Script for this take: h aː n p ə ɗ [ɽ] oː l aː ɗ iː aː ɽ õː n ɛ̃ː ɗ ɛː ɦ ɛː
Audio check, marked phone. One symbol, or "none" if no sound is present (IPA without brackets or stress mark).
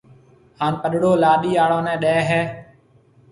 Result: ɽ